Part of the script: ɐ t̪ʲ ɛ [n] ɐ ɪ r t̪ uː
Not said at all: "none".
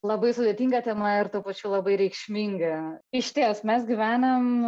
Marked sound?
m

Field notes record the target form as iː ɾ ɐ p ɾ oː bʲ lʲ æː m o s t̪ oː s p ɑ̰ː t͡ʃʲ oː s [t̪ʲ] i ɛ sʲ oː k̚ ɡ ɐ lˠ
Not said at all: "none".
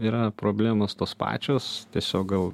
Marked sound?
t̪ʲ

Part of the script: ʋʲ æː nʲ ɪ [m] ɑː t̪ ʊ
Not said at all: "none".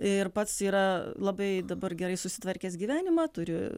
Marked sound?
m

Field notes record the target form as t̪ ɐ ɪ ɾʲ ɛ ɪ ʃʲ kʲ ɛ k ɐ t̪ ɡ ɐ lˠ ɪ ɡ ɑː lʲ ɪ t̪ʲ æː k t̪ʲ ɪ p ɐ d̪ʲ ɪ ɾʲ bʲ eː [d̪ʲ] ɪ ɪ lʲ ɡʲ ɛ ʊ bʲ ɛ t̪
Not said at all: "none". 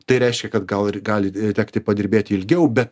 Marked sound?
t̪ʲ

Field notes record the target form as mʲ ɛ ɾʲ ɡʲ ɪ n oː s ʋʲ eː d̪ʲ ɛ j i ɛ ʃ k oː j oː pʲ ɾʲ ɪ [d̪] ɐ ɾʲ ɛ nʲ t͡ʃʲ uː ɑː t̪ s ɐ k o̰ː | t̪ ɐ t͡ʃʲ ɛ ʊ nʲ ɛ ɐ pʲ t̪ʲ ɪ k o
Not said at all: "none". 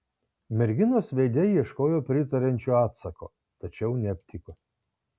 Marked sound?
t̪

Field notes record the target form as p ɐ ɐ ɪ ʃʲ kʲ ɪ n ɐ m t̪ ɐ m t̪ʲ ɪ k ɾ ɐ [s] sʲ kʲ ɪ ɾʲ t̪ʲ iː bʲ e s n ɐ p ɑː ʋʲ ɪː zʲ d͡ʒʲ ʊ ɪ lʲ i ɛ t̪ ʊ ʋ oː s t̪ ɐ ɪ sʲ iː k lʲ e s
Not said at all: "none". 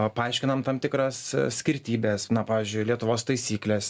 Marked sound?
s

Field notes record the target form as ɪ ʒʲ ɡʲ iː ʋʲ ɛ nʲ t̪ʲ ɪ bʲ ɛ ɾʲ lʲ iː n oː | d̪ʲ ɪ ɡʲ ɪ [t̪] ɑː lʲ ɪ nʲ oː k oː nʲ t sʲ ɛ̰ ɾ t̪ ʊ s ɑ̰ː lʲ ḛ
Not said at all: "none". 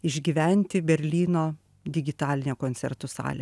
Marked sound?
t̪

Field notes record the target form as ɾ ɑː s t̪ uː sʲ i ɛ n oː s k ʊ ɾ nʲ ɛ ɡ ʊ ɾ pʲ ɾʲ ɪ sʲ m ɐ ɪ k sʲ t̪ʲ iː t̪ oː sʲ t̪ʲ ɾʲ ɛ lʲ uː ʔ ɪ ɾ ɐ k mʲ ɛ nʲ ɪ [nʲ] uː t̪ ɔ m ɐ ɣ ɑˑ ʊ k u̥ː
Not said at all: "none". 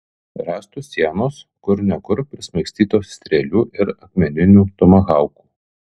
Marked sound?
nʲ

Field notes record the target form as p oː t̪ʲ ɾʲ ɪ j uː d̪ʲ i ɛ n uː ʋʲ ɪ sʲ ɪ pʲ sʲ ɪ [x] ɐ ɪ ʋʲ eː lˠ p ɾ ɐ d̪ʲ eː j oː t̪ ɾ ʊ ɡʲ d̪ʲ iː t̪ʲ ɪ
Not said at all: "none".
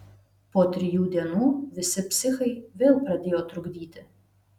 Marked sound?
x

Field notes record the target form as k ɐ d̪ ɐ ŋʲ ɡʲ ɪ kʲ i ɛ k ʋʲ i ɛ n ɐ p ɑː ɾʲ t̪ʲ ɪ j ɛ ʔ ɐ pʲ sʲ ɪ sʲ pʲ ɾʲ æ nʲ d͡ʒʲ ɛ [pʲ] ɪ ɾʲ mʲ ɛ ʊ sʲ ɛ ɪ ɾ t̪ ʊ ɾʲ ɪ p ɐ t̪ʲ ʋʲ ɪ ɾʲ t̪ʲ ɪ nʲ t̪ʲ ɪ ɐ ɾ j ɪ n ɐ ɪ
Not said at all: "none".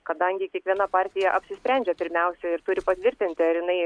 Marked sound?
pʲ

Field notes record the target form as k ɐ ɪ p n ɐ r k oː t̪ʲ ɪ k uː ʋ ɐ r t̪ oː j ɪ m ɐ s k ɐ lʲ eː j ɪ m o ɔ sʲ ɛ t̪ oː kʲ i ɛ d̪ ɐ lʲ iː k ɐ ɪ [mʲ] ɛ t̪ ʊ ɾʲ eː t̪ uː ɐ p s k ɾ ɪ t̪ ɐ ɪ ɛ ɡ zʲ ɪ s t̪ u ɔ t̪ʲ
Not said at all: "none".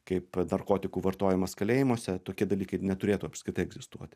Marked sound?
nʲ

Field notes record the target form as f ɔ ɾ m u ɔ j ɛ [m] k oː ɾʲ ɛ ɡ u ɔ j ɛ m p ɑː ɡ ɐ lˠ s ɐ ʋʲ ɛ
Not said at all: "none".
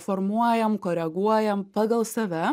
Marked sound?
m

